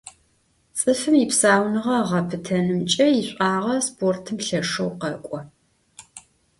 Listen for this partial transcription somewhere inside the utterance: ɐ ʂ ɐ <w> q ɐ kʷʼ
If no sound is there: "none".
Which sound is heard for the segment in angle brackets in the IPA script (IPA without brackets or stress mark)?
w